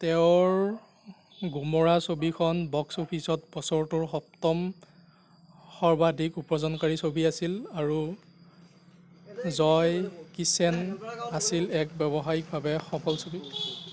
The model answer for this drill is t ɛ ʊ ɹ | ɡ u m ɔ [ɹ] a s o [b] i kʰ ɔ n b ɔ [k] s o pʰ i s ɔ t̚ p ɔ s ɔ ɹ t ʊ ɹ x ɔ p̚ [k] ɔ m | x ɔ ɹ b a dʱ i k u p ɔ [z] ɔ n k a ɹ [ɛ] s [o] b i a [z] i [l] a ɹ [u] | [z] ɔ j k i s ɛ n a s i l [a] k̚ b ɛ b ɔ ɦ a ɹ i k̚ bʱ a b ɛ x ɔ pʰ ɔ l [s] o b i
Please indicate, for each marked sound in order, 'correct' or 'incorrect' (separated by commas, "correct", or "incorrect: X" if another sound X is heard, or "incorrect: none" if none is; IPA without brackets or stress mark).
correct, correct, correct, incorrect: t, correct, incorrect: i, correct, incorrect: s, correct, correct, correct, incorrect: ɛ, correct